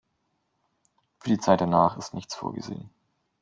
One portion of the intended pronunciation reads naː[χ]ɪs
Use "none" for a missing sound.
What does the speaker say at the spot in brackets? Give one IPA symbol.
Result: χ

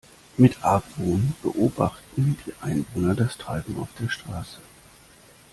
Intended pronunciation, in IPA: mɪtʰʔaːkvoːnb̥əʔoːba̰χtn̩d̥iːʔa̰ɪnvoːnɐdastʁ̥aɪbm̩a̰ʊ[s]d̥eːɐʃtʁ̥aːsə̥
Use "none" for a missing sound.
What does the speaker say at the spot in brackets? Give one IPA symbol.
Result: f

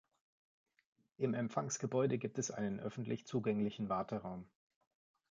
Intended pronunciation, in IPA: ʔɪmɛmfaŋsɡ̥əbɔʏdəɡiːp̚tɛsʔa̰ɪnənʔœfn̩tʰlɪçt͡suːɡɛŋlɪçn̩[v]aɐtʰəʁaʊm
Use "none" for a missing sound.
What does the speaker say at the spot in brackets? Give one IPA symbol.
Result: v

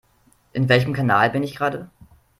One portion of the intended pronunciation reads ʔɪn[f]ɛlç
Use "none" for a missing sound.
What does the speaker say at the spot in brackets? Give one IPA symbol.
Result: v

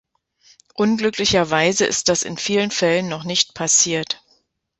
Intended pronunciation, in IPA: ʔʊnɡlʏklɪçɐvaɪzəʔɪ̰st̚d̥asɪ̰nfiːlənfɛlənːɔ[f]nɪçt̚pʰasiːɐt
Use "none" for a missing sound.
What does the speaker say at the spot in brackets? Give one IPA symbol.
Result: χ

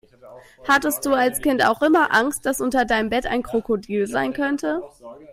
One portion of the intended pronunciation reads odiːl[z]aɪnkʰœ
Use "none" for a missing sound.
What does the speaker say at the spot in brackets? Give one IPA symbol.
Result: z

